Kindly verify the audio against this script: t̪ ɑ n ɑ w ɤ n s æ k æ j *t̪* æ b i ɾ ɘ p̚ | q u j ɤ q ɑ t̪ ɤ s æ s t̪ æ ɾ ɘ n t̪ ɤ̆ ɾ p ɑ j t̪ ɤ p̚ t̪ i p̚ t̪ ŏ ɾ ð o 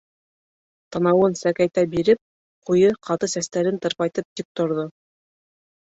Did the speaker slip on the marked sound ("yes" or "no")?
no